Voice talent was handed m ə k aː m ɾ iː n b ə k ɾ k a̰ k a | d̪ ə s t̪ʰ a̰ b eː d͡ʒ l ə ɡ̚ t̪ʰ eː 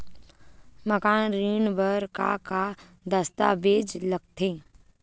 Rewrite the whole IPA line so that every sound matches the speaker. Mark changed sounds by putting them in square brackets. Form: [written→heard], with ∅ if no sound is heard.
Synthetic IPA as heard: m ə k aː [m→n] ɾ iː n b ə [k→∅] ɾ k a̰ k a | d̪ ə s [t̪ʰ→t̪] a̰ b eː d͡ʒ l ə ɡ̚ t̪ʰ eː